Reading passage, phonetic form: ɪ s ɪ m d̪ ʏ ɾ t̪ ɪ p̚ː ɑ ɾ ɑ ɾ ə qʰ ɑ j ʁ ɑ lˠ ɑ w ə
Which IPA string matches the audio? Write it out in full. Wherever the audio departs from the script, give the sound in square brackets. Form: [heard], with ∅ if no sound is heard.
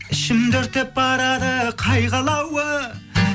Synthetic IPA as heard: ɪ [ʃ] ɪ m d̪ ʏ ɾ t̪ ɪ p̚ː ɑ ɾ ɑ ɾ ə qʰ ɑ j ʁ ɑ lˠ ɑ w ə